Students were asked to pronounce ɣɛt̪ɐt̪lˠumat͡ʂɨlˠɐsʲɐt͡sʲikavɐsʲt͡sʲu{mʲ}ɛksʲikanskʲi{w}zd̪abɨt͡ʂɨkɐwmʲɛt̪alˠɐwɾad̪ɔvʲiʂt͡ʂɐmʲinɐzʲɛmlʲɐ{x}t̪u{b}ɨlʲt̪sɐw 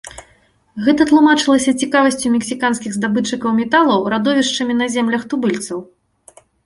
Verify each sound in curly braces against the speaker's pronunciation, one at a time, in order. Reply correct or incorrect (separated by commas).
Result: correct, incorrect, correct, correct